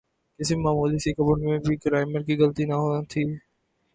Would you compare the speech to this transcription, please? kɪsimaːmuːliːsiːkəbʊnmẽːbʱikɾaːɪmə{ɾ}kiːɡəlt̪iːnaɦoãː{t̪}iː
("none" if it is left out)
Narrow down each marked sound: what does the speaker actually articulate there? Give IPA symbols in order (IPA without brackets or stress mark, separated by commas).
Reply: ɾ, t̪ʰ